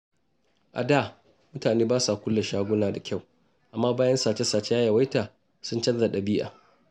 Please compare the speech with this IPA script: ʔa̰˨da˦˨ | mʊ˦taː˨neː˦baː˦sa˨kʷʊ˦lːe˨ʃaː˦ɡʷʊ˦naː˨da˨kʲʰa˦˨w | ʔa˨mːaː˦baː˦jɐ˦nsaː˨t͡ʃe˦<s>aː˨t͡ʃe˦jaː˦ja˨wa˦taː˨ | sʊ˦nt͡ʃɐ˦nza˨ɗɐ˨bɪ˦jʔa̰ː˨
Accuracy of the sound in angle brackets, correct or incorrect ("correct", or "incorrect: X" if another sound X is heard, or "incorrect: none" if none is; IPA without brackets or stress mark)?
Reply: correct